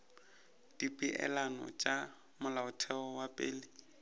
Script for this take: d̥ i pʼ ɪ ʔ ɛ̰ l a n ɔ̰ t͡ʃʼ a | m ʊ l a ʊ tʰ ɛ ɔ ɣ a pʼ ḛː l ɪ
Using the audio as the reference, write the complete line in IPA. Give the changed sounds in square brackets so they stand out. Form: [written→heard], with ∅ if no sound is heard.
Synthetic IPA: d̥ i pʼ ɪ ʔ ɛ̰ l a n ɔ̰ t͡ʃʼ a | m ʊ l a ʊ tʰ ɛ ɔ [ɣ→w] a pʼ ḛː l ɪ